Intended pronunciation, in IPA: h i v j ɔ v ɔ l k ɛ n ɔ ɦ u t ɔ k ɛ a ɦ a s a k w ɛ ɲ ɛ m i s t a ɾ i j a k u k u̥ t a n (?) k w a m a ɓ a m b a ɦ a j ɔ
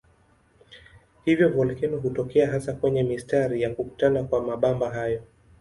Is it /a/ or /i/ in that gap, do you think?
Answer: a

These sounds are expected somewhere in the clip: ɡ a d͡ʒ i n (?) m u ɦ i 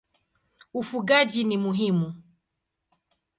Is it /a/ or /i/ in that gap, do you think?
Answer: i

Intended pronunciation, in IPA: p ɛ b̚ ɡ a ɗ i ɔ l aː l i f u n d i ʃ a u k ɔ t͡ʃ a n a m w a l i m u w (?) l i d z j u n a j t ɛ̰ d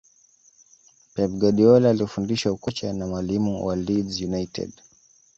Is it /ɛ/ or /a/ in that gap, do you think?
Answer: a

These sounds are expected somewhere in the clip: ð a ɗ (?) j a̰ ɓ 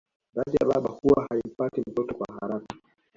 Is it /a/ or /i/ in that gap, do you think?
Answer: i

